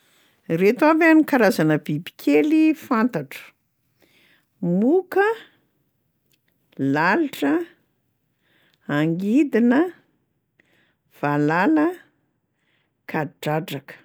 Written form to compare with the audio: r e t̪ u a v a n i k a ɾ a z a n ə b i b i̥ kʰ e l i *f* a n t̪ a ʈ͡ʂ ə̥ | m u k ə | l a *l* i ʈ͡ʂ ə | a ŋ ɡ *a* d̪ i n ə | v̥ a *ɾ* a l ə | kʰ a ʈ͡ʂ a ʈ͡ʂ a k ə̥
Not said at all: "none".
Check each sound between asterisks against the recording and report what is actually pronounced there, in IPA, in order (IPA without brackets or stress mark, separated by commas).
f, l, i, l